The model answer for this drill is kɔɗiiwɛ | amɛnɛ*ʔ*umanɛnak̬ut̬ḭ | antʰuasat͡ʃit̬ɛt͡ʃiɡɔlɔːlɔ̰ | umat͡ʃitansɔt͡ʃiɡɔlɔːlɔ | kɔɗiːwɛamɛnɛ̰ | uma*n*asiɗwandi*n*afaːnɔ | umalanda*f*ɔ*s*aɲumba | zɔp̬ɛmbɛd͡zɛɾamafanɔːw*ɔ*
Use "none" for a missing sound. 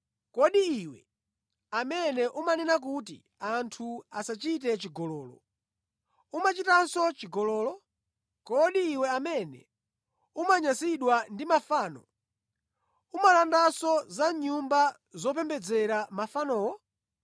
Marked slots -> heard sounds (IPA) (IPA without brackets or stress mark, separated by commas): ʔ, ɲ, m, s, z, ɔ